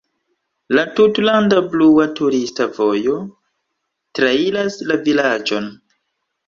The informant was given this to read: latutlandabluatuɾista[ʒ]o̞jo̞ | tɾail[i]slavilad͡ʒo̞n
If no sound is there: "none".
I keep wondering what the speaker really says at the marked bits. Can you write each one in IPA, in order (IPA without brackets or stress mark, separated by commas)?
v, a